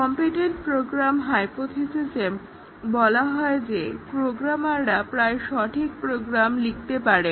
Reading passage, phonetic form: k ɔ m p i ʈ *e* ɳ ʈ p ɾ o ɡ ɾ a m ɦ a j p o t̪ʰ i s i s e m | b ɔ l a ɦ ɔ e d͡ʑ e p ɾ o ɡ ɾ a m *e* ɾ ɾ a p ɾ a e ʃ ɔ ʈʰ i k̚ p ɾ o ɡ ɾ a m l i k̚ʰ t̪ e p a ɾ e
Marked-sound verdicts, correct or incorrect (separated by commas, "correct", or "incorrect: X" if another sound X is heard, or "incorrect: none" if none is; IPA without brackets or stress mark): correct, incorrect: a